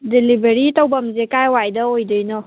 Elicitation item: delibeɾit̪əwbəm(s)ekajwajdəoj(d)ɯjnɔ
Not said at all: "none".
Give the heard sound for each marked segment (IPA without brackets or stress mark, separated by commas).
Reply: z, d